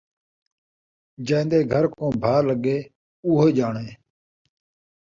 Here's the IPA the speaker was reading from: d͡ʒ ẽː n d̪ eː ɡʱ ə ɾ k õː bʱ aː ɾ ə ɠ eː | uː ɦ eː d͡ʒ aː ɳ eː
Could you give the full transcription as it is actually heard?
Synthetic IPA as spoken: d͡ʒ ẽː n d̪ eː ɡʱ ə ɾ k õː bʱ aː l ə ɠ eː | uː ɦ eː d͡ʒ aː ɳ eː

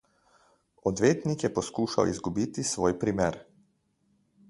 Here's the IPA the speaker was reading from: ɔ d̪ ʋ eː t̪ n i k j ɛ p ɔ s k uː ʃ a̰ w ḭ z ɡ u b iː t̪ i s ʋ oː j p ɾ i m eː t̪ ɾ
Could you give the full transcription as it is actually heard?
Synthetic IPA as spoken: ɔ d̪ ʋ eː t̪ n i k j ɛ p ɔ s k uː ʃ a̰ w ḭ z ɡ u b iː t̪ i s ʋ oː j p ɾ i m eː ɾ

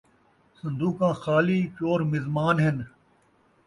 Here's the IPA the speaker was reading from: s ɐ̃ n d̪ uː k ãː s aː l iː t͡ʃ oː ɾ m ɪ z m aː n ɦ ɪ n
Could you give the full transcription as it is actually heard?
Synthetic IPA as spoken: s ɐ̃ n d̪ uː k ãː x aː l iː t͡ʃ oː ɾ m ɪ z m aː n ɦ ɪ n

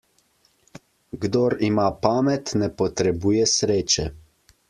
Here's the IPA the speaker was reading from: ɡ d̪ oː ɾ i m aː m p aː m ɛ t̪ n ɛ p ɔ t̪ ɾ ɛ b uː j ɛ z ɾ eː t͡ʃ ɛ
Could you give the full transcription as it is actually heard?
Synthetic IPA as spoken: ɡ d̪ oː ɾ i m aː p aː m ɛ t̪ n ɛ p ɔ t̪ ɾ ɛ b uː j ɛ s ɾ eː t͡ʃ ɛ

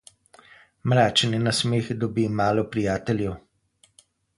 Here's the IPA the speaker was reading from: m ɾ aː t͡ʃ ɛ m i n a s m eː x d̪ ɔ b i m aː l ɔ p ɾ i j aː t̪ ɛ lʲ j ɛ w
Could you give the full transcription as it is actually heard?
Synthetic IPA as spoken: m ɾ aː t͡ʃ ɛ n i n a s m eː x d̪ ɔ b i m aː l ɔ p ɾ i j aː t̪ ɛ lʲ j ɛ w

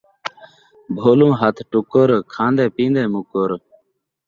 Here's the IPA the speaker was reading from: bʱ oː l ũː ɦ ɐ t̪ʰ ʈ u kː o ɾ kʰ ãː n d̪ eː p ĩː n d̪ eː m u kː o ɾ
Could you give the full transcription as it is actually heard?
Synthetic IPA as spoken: bʱ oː l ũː ɦ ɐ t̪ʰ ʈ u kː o ɾ kʰ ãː n d̪ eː p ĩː n d̪ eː m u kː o ɾ

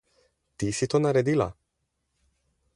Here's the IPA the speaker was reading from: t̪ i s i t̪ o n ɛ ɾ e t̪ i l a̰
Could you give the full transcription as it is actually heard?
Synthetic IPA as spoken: t̪ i s i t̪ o n a ɾ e d̪ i l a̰

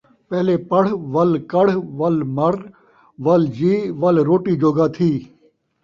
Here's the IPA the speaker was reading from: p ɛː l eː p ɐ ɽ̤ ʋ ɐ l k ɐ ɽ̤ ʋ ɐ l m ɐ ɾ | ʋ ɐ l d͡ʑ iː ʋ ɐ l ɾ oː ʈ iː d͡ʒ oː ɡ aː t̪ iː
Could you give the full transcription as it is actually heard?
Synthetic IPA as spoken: p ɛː l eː p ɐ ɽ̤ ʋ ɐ l k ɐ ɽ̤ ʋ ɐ l m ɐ ɾ | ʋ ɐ l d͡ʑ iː ʋ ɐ l ɾ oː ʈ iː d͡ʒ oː ɡ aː t̪ʰ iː

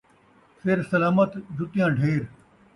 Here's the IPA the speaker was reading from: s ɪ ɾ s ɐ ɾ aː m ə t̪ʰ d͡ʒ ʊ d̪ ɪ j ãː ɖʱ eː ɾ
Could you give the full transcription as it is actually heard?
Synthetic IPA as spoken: s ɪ ɾ s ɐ l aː m ə t̪ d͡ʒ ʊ t̪ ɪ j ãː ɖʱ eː ɾ

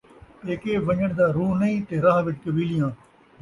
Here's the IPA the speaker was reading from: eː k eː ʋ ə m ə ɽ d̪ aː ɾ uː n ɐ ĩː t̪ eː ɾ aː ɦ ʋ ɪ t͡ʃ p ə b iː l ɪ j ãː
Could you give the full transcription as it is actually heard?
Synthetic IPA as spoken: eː k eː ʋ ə ɲ ə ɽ d̪ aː ɾ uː n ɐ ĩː t̪ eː ɾ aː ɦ ʋ ɪ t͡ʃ k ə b iː l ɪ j ãː

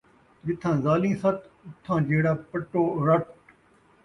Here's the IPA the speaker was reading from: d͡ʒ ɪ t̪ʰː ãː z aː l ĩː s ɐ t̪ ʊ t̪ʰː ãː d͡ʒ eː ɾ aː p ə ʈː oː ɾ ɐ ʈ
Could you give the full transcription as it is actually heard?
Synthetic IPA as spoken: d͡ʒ ɪ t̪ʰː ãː z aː l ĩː s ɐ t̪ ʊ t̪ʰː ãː d͡ʒ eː ɽ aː p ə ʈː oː ɾ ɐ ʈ

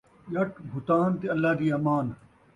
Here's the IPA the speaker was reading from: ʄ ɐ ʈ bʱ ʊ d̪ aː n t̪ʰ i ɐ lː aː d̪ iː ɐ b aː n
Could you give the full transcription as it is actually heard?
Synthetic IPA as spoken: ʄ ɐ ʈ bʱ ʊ t̪ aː n t̪ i ɐ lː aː d̪ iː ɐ m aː n

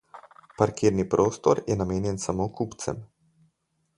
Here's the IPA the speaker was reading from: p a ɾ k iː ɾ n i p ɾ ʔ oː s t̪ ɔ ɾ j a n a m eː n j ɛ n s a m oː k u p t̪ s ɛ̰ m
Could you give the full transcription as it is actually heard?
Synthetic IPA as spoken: p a ɾ k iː ɾ n i p ɾ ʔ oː s t̪ ɔ ɾ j ɛ n a m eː n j ɛ n s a m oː k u p t̪ s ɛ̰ m

